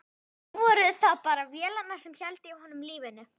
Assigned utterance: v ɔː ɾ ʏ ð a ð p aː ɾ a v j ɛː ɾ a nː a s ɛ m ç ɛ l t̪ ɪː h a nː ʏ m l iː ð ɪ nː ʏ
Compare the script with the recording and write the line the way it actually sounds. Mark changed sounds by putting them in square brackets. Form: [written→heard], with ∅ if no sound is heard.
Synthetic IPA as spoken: v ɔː ɾ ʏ [ð→θ] a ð p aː ɾ a v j ɛː [ɾ→l] a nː a s ɛ m ç ɛ l t̪ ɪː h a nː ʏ m l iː [ð→v] ɪ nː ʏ